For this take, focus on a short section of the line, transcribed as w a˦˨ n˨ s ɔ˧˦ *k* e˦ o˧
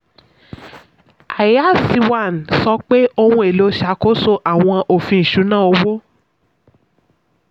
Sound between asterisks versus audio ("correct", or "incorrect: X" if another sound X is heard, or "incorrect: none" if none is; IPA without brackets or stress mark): incorrect: k͡p